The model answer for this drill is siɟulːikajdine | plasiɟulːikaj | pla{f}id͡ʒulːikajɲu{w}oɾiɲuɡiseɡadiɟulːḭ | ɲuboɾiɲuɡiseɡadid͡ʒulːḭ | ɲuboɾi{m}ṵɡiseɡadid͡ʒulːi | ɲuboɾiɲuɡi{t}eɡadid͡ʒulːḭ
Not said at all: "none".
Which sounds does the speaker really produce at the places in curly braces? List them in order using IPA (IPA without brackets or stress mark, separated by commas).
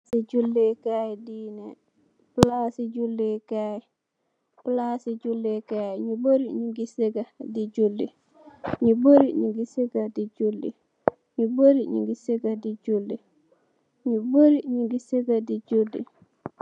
s, b, ɲ, s